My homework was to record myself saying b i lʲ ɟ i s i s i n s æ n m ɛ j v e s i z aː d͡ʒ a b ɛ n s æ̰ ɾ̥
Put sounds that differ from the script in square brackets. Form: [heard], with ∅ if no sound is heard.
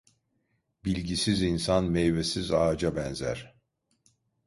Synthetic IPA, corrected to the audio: b i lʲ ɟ i s i [z] i n s [a] n m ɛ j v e s i z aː d͡ʒ a b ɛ n [z] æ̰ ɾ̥